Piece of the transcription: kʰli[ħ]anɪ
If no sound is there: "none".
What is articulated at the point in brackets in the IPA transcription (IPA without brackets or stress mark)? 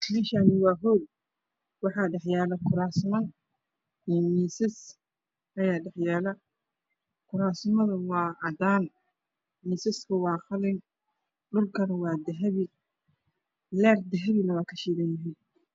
ʃ